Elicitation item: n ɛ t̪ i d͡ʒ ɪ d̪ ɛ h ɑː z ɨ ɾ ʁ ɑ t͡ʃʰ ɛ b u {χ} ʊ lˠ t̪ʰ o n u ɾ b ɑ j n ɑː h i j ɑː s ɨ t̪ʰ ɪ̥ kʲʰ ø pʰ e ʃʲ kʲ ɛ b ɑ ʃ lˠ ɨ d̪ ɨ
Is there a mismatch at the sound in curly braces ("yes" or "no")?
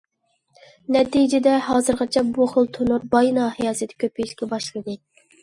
no